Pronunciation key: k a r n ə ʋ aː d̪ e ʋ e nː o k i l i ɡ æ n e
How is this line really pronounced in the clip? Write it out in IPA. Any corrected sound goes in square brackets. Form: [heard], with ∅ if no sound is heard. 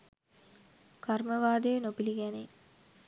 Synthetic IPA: k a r [m] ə ʋ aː d̪ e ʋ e [n] o [p] i l i ɡ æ n e